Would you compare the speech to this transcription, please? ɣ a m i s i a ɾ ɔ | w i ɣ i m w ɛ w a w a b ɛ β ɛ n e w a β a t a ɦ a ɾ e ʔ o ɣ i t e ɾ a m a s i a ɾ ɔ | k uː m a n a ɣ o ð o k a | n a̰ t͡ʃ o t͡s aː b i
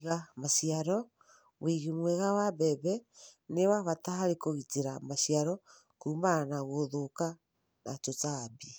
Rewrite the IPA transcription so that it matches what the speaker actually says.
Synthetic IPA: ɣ a m a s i a ɾ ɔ | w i ɣ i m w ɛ ɣ a w a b ɛ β ɛ n e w a β a t a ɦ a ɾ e k o ɣ i t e ɾ a m a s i a ɾ ɔ | k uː m a n a ɣ o ð o k a | n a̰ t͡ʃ o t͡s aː b i